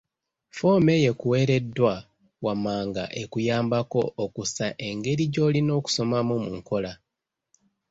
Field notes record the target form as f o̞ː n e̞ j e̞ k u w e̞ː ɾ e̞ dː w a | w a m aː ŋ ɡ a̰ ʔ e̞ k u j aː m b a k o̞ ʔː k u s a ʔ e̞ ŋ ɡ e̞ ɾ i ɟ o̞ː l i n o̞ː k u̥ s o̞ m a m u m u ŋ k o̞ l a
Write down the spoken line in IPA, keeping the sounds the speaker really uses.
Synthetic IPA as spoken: f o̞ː m e̞ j e̞ k u w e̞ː ɾ e̞ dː w a | w a m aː ŋ ɡ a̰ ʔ e̞ k u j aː m b a k o̞ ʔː k u s a ʔ e̞ ŋ ɡ e̞ ɾ i ɟ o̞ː l i n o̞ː k u̥ s o̞ m a m u m u ŋ k o̞ l a

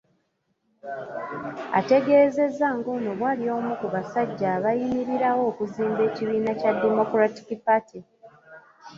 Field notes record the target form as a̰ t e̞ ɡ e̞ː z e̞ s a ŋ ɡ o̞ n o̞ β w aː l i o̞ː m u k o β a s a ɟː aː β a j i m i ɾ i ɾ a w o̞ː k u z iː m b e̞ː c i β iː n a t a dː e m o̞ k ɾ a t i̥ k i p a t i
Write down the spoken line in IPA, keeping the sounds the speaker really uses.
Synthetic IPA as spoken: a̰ t e̞ ɡ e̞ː z e̞ z a ŋ ɡ o̞ n o̞ β w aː l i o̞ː m u k u β a s a ɟː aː β a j i m i ɾ i ɾ a w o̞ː k u z iː m b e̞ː c i β iː n a c a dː e m o̞ k ɾ a t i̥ k i p a t i

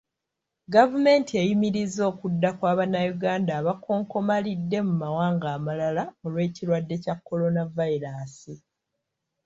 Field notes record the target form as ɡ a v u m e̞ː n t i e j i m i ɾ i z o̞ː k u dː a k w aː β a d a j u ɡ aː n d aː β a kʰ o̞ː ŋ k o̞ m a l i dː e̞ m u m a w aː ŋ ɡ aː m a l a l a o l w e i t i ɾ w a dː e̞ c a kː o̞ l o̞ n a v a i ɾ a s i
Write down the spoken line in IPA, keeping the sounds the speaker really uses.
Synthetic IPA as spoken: ɡ a v u m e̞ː n t i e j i m i ɾ i z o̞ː k u dː a k w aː β a n a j u ɡ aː n d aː β a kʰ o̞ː ŋ k o̞ m a l i dː e̞ m u m a w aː ŋ ɡ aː m a l a l a o l w e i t i ɾ w a dː e̞ c a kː o̞ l o̞ n a v a i ɾ a s i

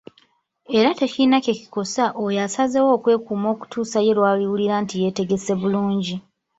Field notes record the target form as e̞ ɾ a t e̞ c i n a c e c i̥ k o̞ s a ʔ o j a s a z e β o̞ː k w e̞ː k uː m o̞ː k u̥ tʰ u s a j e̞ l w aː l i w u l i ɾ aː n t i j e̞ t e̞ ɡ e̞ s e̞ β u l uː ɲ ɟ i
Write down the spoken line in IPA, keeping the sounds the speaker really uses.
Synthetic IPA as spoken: e̞ ɾ a t e̞ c i n a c e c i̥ k o̞ s a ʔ o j a s a z e w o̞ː k w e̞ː k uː m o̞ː k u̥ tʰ uː s a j e̞ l w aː l i w u l i ɾ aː n t i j e̞ t e̞ ɡ e̞ s e̞ β u l uː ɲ ɟ i

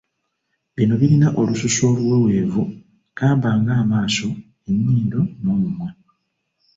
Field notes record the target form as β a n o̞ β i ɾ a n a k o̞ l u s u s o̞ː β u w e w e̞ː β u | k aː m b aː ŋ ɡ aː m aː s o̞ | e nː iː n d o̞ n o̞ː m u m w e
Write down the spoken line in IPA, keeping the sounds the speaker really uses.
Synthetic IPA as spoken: β i n o̞ β i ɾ i n a ʔ o̞ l u s u s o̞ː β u w e w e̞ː v u | k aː m b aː ŋ ɡ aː m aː s o̞ | e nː iː n d o̞ n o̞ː m u m w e

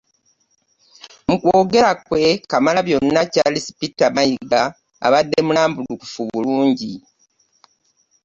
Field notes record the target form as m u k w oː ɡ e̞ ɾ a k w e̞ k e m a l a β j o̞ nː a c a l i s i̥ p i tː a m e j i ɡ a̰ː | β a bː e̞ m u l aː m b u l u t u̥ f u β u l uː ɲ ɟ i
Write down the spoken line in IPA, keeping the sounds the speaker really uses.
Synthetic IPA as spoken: m u k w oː ɡ e̞ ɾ a k w e̞ k a m a l a β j o̞ nː a c a l i s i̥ p i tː a m a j i ɡ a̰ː | β a dː e̞ m u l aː m b u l u k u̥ f u β u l uː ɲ ɟ i

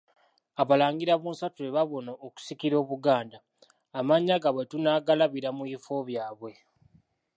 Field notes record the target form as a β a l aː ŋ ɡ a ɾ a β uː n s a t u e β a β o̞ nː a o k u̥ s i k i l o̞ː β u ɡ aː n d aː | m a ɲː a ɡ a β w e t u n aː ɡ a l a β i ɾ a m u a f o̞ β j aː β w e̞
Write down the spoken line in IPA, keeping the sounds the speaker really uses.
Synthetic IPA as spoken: a β a l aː ŋ ɡ i ɾ a β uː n s a t u e β a β o̞ n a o k u̥ s i k i ɾ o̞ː β u ɡ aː n d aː | m a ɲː a ɡ a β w e t u n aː ɡ a l a β i ɾ a m u i f o̞ β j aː β w e̞

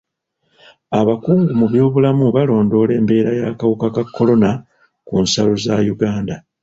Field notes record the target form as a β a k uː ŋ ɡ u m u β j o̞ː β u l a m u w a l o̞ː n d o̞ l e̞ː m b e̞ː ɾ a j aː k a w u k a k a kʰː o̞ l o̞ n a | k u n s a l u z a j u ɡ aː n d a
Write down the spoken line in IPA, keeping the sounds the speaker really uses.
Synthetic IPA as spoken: a β a k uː ŋ ɡ u m u β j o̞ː β u l a m u β a l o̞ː n d o̞ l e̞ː m b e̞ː ɾ a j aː k a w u k a k a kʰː o̞ l o̞ n a | k u n s a l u z a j u ɡ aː n d a

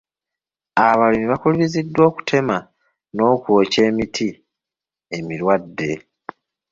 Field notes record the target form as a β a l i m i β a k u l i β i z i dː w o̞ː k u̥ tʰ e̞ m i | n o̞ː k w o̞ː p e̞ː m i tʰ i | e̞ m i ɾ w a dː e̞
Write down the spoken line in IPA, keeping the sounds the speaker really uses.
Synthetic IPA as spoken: a β a l i m i β a k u l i β i z i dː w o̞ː k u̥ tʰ e̞ m a | n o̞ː k w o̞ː c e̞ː m i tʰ i | e̞ m i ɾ w a dː e̞

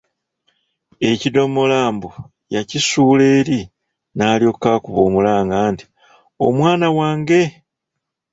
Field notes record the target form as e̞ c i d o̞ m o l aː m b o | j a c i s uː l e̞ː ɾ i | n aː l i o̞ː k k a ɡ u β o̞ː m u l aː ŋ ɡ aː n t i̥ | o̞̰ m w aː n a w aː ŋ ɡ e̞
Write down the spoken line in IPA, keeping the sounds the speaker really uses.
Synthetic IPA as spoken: e̞ c i d o̞ m o l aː m b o | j a c i s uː l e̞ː ɾ i | n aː l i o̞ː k k a k u β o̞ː m u l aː ŋ ɡ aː n t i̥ | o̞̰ m w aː n a w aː ŋ ɡ e̞

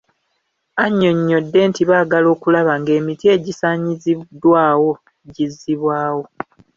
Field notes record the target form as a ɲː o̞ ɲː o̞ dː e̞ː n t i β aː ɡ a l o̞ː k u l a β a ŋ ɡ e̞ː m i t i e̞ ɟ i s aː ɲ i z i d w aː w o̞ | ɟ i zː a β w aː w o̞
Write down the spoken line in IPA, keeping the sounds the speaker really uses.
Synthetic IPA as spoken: a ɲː o̞ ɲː o̞ dː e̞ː n t i β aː ɡ a l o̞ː k u l a β a ŋ ɡ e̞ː m i t i e̞ ɟ i s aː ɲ i z i d w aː w o̞ | ɟ i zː i β w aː w o̞

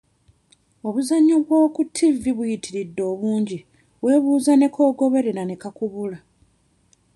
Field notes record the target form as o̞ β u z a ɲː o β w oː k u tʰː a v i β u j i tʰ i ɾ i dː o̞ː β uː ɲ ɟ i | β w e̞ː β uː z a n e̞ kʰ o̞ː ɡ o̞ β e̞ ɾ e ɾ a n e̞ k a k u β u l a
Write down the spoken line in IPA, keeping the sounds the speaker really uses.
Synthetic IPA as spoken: o̞ β u z a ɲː o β w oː k u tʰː i v i β u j i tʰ i ɾ i dː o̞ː β uː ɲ ɟ i | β w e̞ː β uː z a n e̞ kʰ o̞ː ɡ o̞ β e̞ ɾ e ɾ a n e̞ k a k u β u l a

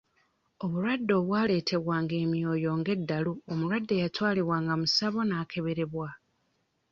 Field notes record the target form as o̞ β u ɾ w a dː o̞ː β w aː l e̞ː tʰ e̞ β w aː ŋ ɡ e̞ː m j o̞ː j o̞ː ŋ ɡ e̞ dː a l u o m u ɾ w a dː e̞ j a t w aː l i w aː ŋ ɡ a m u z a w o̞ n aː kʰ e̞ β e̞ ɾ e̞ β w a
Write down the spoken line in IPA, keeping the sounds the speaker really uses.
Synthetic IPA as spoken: o̞ β u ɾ w a dː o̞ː β w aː l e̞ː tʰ e̞ β w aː ŋ ɡ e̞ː m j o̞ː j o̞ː ŋ ɡ e̞ dː a l u o m u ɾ w a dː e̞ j a t w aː l i w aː ŋ ɡ a m u s a β o̞ n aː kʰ e̞ β e̞ ɾ e̞ β w a

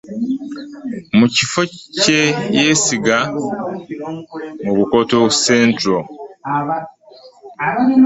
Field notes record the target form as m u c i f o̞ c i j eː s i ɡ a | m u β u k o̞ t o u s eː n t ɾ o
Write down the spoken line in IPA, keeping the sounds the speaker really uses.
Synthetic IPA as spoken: m u c i f o̞ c e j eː s i ɡ a | m u β u k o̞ t o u s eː n t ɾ o

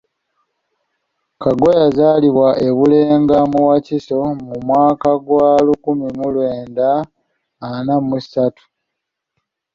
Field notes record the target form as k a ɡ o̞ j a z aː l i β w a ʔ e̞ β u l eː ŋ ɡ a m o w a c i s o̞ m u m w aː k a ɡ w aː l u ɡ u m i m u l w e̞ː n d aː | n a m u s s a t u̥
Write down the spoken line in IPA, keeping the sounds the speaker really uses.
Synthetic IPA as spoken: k a ɡ o̞ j a z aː l i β w a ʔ e̞ β u l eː ŋ ɡ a m u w a c i s o̞ m u m w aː k a ɡ w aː l u k u m i m u l w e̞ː n d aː | n a m u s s a t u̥

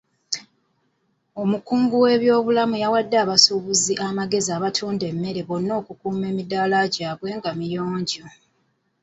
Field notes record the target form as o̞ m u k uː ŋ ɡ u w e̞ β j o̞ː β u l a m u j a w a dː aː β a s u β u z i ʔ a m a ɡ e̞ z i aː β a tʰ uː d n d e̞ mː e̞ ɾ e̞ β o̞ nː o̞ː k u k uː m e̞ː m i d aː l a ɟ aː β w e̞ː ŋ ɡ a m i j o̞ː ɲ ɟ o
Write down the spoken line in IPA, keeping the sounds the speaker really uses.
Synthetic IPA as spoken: o̞ m u k uː ŋ ɡ u w e̞ β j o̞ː β u l a m u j a w a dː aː β a s u β u z i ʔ a m a ɡ e̞ z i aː β a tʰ uː n d e̞ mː e̞ ɾ e̞ β o̞ nː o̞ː k u k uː m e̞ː m i d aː l a ɟ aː β w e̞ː ŋ ɡ a m i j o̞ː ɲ ɟ o

